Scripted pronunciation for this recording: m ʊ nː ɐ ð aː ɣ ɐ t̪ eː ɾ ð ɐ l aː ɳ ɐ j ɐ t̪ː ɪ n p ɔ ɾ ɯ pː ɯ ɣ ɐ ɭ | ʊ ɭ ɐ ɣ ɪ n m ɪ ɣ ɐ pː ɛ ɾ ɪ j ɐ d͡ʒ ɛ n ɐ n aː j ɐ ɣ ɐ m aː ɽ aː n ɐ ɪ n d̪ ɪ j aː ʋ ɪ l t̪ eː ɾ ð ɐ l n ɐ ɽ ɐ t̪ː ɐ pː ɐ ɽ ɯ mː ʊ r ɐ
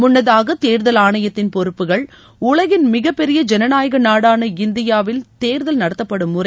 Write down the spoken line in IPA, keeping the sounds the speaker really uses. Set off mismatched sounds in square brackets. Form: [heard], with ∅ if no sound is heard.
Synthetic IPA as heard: m ʊ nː ɐ ð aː ɣ ɐ t̪ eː ɾ ð ɐ l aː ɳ ɐ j ɐ t̪ː ɪ n p ɔ ɾ ɯ pː ɯ ɣ ɐ ɭ | ʊ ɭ ɐ ɣ ɪ n m ɪ ɣ ɐ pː ɛ ɾ ɪ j ɐ d͡ʒ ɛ n ɐ n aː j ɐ ɣ ɐ [n] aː ɽ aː n ɐ ɪ n d̪ ɪ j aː ʋ ɪ l t̪ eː ɾ ð ɐ l n ɐ ɽ ɐ t̪ː ɐ pː ɐ ɽ ɯ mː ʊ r ɐ